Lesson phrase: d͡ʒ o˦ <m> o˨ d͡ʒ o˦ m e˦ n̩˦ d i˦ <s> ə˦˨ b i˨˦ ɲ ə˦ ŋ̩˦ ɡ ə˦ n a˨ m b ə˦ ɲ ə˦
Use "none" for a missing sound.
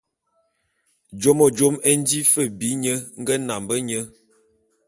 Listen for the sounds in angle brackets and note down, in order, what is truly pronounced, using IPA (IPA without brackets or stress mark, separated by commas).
m, f